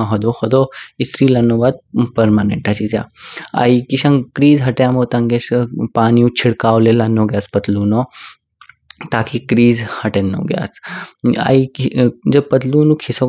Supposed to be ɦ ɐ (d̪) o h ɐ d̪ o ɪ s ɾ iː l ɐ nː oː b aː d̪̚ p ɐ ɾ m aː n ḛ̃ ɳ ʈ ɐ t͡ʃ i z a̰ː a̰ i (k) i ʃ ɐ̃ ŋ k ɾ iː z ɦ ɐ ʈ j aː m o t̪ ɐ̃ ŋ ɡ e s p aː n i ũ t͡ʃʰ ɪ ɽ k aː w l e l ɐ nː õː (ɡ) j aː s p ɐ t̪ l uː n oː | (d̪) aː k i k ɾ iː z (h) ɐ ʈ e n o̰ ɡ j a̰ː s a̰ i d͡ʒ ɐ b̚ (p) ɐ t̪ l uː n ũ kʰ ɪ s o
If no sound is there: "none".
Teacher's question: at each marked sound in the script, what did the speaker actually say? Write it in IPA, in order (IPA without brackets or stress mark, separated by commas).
d̪, k, ɡ, t̪, h, p